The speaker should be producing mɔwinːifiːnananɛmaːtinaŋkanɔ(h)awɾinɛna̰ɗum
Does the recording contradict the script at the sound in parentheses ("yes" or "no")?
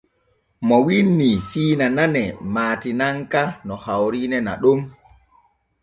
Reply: no